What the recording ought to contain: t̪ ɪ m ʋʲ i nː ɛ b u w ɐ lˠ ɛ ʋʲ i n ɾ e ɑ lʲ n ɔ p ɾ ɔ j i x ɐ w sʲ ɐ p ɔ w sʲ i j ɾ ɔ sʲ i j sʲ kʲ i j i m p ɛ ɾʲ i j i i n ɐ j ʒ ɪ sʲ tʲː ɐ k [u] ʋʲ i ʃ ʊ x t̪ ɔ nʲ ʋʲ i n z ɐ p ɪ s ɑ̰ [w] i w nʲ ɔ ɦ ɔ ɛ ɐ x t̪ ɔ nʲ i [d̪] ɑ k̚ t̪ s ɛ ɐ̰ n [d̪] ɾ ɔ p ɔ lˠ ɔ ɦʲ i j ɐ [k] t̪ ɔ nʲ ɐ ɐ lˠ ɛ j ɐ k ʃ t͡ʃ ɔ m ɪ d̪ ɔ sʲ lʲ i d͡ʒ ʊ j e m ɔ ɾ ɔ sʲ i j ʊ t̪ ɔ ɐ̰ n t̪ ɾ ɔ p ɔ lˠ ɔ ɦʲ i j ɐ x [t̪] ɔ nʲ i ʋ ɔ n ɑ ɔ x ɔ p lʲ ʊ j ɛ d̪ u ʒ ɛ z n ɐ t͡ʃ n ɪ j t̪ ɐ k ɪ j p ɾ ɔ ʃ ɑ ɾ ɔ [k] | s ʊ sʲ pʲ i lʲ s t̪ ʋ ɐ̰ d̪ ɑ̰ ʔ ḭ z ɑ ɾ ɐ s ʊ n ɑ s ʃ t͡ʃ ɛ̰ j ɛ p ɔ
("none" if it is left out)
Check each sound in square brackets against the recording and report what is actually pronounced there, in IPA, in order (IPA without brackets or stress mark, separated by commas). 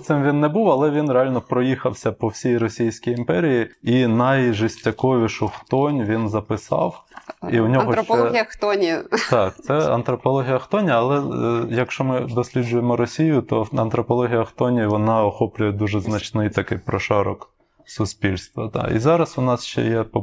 ɔ, w, t̪, t̪, x, t̪, k